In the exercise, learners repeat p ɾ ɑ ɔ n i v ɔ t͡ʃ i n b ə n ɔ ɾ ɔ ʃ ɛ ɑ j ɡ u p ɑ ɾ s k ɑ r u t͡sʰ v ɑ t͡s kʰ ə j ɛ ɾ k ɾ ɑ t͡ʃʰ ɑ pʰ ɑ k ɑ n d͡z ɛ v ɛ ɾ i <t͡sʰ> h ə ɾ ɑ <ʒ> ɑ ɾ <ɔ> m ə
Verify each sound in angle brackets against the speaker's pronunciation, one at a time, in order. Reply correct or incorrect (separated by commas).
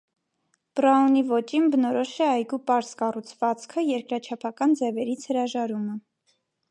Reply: correct, correct, incorrect